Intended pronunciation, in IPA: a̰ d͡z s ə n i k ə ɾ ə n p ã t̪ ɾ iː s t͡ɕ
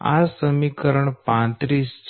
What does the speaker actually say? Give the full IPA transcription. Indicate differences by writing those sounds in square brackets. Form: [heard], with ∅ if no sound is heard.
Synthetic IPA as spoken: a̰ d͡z s ə [m] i k ə ɾ ə [ɳ] p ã t̪ ɾ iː s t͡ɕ